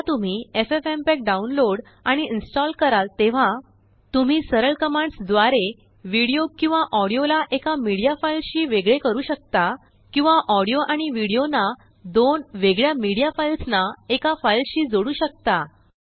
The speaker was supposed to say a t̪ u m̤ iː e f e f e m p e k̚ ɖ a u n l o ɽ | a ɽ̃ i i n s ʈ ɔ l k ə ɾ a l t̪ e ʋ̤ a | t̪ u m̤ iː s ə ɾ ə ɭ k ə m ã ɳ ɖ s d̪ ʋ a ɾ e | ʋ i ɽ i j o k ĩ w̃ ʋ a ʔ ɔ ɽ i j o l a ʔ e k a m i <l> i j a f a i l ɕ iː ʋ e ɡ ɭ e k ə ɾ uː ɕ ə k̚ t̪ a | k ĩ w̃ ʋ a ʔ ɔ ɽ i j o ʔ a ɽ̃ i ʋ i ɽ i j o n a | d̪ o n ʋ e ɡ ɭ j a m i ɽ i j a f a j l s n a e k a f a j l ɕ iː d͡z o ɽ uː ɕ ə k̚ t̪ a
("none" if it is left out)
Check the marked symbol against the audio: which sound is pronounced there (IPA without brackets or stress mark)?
ɽ